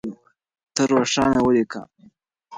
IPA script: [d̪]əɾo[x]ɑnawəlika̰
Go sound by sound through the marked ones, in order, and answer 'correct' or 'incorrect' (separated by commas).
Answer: incorrect, incorrect